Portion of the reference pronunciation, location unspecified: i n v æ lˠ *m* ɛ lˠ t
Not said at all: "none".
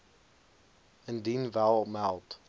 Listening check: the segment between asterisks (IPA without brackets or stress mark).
m